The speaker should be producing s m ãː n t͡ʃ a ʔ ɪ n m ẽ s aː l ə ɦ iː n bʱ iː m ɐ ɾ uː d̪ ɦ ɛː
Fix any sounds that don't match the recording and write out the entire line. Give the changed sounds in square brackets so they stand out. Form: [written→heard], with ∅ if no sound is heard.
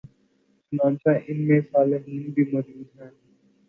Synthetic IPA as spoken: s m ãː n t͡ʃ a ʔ ɪ n m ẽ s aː l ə ɦ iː n bʱ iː m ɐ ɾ uː d̪ ɦ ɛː